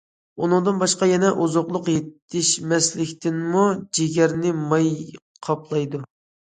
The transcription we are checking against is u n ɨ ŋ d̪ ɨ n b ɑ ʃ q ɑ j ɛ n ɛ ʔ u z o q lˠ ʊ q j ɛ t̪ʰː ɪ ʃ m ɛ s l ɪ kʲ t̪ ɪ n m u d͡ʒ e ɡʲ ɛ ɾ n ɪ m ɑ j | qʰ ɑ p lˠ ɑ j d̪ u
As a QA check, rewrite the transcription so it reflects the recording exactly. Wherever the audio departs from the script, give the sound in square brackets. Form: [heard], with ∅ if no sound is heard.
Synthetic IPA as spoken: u n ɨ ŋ d̪ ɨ n b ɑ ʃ q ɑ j ɛ n ɛ ʔ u z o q lˠ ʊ q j [e] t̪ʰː ɪ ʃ m ɛ s l ɪ kʲ t̪ ɪ n m u d͡ʒ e ɡʲ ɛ ɾ n ɪ m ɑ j | qʰ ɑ p lˠ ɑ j d̪ u